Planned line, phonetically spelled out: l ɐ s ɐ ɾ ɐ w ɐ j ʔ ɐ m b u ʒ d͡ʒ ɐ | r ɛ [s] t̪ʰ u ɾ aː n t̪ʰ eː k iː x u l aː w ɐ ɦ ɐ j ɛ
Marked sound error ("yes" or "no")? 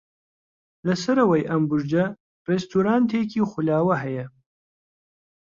no